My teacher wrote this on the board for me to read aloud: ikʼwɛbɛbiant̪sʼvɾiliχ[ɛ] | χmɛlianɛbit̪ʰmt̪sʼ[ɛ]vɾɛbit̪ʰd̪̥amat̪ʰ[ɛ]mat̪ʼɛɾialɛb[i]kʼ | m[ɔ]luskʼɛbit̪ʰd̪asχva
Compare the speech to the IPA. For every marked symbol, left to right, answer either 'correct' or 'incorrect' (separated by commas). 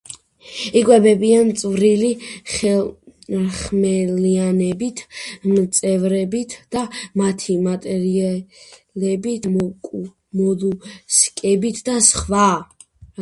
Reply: correct, correct, incorrect, correct, correct